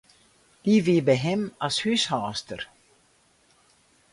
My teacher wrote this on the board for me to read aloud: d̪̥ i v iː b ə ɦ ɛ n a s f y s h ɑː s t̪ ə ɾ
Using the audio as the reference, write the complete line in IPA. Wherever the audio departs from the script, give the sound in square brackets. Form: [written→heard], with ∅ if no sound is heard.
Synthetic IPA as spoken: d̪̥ i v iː b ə ɦ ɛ [n→m] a s [f→h] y s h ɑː s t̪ ə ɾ

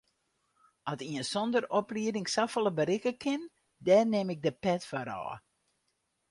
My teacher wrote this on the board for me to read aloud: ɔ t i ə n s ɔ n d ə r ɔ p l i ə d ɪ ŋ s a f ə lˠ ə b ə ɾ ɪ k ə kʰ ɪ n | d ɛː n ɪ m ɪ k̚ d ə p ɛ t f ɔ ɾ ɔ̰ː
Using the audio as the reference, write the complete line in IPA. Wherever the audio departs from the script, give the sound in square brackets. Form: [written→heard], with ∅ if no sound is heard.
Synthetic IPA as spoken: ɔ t i ə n s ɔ n d ə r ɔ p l i ə d ɪ ŋ s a f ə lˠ ə b ə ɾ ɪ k ə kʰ ɪ n | d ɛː n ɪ m ɪ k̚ d ə p ɛ t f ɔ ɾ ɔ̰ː

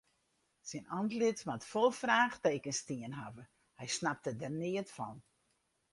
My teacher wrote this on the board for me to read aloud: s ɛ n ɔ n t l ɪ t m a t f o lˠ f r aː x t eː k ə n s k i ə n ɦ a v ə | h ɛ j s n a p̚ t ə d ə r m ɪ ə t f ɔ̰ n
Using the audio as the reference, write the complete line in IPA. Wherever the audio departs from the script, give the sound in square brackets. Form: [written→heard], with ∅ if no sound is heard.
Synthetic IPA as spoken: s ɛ n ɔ n t l ɪ t m a t f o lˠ f r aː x t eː k ə n s [k→t] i ə n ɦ a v ə | h ɛ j s n a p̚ t ə d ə r [m→n] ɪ ə t f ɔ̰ n

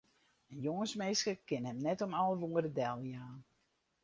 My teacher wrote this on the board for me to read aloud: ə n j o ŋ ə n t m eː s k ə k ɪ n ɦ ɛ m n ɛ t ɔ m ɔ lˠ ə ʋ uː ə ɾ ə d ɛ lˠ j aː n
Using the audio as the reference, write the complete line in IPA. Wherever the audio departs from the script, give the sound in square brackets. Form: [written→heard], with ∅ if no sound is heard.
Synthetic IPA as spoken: ə n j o ŋ ə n [t→s] m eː s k ə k ɪ n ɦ ɛ m n ɛ t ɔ m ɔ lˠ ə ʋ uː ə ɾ ə d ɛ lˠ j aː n

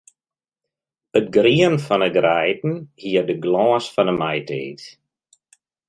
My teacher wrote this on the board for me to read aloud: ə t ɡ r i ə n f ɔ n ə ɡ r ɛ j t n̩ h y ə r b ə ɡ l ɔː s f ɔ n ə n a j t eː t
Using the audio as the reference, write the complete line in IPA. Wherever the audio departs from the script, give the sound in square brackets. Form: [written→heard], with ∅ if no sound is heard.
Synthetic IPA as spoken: ə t ɡ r i ə n f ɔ n ə ɡ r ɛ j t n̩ h [y→i] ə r [b→d] ə ɡ l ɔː s f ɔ n ə [n→m] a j t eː t

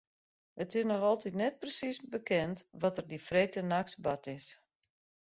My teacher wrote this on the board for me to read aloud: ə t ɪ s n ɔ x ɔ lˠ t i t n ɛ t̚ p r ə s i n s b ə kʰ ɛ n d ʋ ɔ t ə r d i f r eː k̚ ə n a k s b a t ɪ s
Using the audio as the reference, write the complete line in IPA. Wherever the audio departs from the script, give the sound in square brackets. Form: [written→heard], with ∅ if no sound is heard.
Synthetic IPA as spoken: ə t ɪ s n ɔ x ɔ lˠ t i t n ɛ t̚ p r ə s i [n→∅] s b ə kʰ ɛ n [d→t] ʋ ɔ t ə r d i f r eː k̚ ə n a k s b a t ɪ s

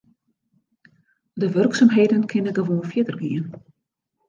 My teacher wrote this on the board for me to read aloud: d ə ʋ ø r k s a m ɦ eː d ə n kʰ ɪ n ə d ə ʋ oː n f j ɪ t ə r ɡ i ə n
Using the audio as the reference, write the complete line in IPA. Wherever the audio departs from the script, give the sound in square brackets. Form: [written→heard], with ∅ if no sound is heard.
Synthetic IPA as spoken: d ə ʋ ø r k s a m ɦ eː d ə n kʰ ɪ n ə [d→ɡ] ə ʋ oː n f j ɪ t ə r ɡ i ə n

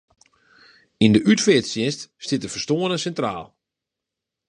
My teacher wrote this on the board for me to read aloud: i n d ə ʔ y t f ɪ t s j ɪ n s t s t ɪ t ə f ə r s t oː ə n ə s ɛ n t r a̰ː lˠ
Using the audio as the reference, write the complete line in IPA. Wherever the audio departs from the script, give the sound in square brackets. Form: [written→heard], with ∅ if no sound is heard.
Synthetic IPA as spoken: i n d ə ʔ y t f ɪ t s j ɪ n s t s t ɪ t ə f ə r s t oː ə n ə s ɛ n t r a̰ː lˠ

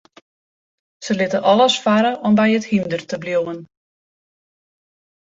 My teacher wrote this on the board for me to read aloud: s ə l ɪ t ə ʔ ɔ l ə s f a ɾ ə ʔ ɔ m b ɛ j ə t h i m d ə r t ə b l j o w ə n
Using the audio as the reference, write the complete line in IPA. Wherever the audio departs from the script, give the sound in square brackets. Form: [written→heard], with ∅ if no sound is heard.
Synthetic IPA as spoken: s ə l ɪ t ə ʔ ɔ l ə s f a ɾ ə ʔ ɔ m b ɛ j ə t h i m d ə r t ə b l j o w ə n

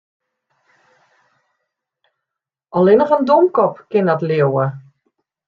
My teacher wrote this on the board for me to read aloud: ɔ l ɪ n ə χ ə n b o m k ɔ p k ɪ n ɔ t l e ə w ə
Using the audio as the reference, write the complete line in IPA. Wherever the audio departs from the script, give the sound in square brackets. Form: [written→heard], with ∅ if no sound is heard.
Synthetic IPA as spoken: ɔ l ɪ n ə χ ə n [b→d] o m k ɔ p k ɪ n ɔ t l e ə w ə

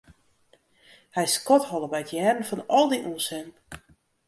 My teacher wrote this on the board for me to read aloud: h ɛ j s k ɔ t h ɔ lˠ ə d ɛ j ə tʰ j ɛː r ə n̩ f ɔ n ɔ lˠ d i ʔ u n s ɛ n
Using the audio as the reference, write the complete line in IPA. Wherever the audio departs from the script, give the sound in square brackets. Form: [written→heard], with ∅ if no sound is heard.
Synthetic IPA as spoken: h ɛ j s k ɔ t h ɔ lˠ ə [d→b] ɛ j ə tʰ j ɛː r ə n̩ f ɔ n ɔ lˠ d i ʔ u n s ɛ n

